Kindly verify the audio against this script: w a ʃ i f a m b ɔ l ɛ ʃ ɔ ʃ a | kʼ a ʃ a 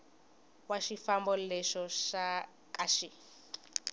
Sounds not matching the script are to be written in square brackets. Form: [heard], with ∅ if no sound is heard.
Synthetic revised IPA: w a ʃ i f a m b ɔ l ɛ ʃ ɔ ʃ a | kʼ a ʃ [i]